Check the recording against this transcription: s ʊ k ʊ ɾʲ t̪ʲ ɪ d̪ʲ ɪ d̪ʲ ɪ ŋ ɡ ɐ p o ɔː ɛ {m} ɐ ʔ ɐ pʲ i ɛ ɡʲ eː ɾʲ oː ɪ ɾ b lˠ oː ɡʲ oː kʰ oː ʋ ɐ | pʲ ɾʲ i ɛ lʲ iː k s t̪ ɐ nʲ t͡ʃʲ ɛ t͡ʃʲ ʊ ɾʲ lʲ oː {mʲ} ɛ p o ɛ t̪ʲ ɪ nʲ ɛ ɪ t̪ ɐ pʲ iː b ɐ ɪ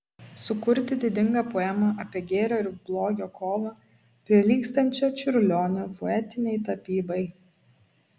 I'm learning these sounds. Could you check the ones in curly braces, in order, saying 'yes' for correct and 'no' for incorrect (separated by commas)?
yes, no